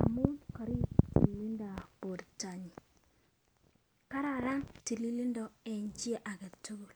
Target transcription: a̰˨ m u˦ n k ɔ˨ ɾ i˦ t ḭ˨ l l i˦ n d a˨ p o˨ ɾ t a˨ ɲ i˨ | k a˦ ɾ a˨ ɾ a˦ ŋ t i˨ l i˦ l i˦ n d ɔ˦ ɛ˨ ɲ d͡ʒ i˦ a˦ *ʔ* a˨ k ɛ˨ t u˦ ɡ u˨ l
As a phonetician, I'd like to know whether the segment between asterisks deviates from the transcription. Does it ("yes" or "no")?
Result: no